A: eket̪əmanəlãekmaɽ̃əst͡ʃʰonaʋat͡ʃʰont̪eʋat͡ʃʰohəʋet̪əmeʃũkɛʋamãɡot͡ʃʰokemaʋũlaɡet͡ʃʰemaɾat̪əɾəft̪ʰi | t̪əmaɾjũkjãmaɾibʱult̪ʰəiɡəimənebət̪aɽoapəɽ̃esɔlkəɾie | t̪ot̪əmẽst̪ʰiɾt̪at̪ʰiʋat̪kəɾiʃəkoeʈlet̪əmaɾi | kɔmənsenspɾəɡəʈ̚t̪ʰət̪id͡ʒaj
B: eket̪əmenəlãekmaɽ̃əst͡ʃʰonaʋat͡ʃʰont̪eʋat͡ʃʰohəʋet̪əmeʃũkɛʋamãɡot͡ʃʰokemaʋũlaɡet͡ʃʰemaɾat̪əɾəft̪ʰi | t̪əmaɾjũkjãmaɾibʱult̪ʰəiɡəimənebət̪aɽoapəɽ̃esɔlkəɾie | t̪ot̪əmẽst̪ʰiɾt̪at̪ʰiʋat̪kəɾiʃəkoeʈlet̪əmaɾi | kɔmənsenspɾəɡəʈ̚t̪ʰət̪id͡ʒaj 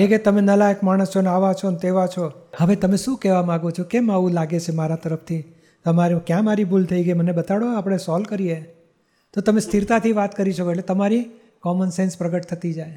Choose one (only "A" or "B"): B